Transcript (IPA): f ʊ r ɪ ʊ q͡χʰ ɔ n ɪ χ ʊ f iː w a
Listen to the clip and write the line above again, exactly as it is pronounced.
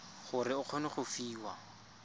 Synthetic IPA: χ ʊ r ɪ ʊ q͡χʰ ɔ n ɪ χ ʊ f iː w a